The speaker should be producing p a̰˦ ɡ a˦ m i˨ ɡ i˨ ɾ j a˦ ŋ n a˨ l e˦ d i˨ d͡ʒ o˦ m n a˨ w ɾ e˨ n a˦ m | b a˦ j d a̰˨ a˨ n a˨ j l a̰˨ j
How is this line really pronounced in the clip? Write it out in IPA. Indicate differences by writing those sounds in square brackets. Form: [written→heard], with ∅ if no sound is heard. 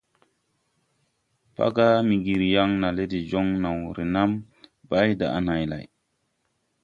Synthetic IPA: p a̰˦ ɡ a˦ m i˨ ɡ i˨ ɾ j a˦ ŋ n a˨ l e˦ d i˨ d͡ʒ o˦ [m→ŋ] n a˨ w ɾ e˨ n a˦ m | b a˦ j d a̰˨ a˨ n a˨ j l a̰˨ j